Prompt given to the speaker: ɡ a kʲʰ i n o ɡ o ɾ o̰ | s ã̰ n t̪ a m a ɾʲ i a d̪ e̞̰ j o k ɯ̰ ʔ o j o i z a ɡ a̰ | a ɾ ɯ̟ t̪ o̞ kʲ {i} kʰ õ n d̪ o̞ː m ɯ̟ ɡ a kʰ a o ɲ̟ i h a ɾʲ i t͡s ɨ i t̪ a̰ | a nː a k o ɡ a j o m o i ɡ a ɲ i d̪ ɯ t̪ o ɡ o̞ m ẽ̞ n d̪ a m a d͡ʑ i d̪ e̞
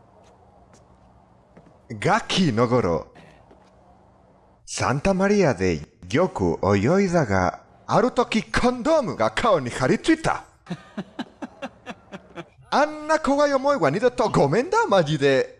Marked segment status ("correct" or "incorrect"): correct